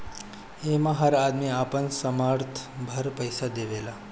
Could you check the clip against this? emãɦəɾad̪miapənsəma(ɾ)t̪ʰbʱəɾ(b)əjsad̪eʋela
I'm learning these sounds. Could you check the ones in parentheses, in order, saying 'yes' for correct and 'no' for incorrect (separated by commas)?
yes, no